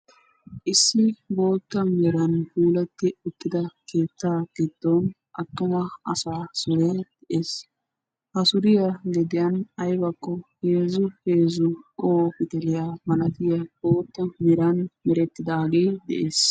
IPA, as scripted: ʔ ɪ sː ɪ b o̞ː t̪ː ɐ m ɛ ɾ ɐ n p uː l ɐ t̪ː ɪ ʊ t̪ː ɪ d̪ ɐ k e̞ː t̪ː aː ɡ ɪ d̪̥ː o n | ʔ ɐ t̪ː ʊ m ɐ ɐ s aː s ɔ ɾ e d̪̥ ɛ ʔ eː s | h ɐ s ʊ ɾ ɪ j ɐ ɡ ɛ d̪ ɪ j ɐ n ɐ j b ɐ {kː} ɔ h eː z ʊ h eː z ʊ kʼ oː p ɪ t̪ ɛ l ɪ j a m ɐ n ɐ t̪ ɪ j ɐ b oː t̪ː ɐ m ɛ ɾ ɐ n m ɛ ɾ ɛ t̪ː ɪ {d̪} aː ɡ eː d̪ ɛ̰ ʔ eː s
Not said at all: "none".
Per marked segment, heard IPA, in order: kː, d̪

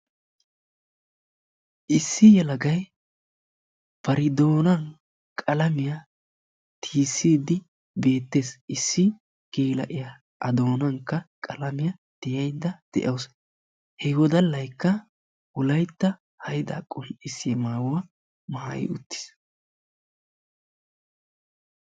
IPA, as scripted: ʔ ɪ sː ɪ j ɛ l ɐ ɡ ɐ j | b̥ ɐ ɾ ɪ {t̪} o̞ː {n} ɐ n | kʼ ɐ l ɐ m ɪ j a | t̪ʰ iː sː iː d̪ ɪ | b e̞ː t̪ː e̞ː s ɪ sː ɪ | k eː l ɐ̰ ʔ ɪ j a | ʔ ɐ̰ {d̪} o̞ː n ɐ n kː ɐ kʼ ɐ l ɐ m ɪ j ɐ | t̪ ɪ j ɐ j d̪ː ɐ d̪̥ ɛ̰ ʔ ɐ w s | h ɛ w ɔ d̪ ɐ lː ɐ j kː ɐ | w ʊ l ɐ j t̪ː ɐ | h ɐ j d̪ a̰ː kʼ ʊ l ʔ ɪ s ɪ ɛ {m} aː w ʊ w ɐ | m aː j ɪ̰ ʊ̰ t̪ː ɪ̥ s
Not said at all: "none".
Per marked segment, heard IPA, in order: d̪, n, d̪, m

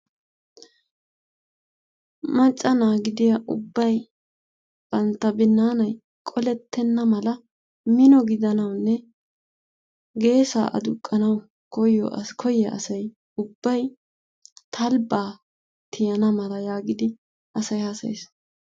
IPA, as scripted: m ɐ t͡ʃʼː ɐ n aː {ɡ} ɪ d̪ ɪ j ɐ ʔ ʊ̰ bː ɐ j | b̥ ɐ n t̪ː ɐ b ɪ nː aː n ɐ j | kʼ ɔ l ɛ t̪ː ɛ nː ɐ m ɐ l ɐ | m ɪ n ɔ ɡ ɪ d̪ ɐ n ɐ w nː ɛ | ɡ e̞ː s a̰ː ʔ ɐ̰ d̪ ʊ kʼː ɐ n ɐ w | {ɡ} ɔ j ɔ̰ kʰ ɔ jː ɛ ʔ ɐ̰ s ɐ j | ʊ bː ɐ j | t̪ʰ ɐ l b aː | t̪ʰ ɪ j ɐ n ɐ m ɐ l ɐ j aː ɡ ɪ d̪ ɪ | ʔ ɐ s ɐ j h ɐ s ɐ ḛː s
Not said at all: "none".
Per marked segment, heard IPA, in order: ɡ, k

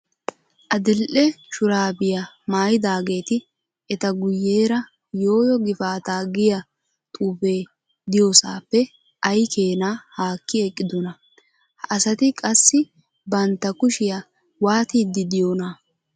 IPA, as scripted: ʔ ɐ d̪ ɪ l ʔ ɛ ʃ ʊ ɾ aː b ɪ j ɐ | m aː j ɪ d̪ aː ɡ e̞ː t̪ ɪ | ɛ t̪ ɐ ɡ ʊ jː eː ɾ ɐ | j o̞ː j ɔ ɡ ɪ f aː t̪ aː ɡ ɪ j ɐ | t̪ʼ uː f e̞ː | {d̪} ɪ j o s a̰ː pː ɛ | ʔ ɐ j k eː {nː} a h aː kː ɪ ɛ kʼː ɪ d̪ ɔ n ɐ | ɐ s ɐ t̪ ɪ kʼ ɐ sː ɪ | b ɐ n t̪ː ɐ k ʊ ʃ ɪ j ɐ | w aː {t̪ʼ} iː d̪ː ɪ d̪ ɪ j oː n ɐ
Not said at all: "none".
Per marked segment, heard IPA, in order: d̪, n, t̪

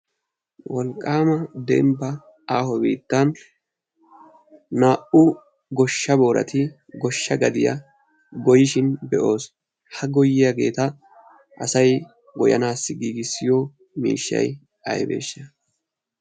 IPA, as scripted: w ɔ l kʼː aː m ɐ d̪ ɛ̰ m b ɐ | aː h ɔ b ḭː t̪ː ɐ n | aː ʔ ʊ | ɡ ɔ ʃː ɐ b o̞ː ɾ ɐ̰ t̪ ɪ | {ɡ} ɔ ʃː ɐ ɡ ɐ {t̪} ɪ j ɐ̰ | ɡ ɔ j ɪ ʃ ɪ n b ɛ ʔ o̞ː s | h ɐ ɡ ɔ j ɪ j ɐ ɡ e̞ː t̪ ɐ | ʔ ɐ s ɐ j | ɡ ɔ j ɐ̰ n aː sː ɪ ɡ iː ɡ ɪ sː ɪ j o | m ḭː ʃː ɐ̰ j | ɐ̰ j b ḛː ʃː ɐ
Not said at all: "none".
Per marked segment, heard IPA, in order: ɡ, d̪

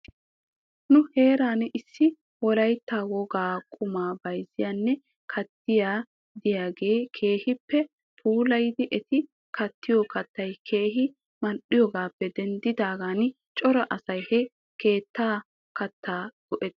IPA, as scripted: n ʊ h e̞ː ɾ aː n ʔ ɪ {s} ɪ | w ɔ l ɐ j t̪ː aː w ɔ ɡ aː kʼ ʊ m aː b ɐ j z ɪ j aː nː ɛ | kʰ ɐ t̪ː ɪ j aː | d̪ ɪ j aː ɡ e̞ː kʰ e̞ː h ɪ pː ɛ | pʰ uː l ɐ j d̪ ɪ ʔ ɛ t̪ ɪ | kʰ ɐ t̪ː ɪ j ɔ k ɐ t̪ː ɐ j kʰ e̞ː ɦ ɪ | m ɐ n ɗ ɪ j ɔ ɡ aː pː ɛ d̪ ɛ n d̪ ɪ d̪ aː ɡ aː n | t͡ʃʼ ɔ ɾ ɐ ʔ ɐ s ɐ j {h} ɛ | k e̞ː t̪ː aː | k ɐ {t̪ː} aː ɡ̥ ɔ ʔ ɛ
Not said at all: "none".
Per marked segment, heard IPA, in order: sː, h, t̪ː

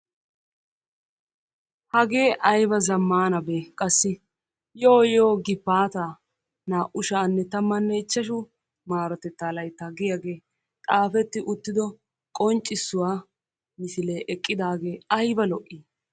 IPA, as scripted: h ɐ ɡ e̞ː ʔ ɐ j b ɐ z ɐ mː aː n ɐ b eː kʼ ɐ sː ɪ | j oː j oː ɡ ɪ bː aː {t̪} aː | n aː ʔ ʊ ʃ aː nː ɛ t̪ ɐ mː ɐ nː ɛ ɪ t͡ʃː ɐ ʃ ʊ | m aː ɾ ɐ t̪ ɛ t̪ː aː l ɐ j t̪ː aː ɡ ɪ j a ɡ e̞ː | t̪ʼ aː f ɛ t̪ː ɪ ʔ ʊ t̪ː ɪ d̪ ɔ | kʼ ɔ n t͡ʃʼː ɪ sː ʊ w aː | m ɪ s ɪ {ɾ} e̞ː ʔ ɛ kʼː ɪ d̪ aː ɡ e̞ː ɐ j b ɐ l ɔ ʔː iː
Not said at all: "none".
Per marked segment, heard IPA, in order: t̪, l

